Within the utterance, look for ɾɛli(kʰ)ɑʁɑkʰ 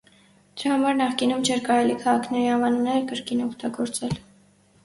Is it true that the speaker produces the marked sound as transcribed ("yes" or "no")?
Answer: yes